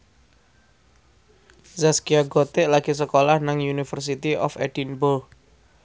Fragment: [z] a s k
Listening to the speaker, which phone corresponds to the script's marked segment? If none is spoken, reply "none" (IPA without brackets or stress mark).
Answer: z